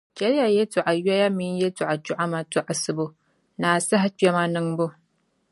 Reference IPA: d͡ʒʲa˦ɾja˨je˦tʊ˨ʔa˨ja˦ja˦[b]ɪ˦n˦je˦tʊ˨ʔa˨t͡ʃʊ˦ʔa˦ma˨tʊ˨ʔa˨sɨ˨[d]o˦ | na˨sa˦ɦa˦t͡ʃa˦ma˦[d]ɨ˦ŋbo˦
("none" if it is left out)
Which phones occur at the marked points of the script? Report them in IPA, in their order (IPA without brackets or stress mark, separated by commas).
m, b, n